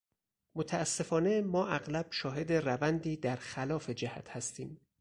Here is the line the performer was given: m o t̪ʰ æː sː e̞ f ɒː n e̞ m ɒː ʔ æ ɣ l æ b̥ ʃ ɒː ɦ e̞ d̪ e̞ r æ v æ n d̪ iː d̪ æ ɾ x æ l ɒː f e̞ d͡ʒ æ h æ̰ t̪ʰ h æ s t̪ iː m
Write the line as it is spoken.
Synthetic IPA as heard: m o t̪ʰ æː sː e̞ f ɒː n e̞ m ɒː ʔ æ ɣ l æ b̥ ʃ ɒː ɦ e̞ d̪ e̞ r æ v æ n d̪ iː d̪ æ ɾ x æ l ɒː f e̞ d͡ʒ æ h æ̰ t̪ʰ h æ s t̪ iː m